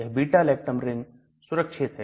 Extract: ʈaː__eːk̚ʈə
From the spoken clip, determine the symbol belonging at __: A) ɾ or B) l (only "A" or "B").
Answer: B